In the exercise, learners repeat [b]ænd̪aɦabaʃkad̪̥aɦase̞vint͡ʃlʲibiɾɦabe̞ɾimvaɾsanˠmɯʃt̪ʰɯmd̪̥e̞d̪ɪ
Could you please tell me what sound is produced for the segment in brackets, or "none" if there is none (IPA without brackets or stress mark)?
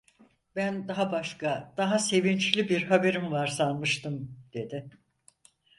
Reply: b